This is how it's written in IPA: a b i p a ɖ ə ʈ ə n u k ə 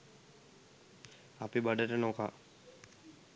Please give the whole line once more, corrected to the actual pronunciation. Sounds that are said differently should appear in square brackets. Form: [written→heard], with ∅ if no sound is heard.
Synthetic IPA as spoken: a [b→p] i [p→b] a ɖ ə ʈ ə n [u→o] k [ə→a]

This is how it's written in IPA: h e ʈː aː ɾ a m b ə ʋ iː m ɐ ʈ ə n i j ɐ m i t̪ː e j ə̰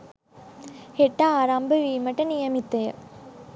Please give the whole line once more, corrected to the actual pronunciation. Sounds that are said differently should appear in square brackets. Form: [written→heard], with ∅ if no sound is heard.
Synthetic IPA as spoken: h e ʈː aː ɾ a m b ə ʋ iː m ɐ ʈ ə n i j ɐ m i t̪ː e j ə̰

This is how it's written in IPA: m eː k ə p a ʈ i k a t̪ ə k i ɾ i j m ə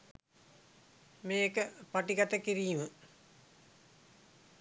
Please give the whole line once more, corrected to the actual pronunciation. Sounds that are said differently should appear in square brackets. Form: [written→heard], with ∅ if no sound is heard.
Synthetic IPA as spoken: m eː k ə p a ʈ i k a t̪ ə k i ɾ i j m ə

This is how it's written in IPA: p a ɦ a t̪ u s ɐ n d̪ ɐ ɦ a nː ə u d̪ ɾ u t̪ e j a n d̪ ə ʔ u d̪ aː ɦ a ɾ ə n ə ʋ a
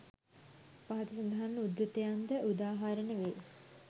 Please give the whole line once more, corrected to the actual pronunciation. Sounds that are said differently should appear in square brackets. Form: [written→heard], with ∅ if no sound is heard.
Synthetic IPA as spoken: p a ɦ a t̪ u s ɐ n d̪ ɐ ɦ a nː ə u d̪ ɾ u t̪ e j a n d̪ ə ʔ u d̪ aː ɦ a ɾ ə n ə ʋ [a→e]

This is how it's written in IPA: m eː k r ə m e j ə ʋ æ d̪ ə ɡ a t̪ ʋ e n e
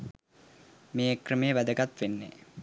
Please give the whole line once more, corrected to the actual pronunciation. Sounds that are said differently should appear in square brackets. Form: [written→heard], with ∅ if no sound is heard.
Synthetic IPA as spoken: m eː k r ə m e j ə ʋ æ d̪ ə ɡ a t̪ ʋ e [n→nː] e

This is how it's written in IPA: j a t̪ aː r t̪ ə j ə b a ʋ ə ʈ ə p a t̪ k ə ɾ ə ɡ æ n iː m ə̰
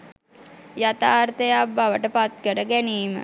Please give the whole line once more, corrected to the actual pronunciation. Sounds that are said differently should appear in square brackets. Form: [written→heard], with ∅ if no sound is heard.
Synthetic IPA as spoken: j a t̪ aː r t̪ ə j [ə→a] b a ʋ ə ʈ ə p a t̪ k ə ɾ ə ɡ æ n iː m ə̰

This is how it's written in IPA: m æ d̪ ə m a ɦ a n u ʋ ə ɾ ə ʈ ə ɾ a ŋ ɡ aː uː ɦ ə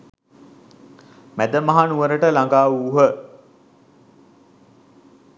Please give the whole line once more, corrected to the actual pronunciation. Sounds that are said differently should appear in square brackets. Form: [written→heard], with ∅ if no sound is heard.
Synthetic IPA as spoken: m æ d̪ ə m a ɦ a n u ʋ ə ɾ ə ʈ ə [ɾ→l] a ŋ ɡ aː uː ɦ ə

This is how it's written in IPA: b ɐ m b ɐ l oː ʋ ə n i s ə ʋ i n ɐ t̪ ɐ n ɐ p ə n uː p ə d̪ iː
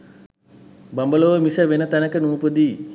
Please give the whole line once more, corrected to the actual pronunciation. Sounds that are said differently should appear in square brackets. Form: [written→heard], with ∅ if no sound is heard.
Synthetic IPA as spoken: b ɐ m b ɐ l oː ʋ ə [n→m] i s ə ʋ [i→e] n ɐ t̪ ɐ n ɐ [p→k] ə n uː p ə d̪ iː

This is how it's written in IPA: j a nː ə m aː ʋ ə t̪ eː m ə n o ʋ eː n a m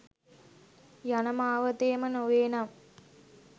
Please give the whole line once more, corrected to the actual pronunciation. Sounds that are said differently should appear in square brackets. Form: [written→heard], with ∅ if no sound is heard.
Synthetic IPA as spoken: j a [nː→n] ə m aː ʋ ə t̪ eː m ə n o ʋ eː n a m

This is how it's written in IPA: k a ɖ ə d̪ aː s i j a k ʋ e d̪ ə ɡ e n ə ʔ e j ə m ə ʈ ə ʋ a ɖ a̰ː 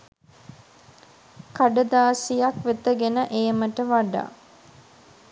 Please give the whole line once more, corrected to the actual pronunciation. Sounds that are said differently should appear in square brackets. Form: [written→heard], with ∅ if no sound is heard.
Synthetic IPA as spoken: k a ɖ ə d̪ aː s i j a k ʋ e [d̪→t̪] ə ɡ e n ə ʔ e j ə m ə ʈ ə ʋ a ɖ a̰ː

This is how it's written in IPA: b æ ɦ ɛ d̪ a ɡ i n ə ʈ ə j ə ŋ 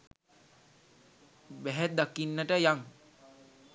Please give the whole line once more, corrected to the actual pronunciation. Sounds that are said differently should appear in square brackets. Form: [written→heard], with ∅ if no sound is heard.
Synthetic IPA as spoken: b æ ɦ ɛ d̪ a [ɡ→k] i [n→nː] ə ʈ ə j [ə→a] ŋ

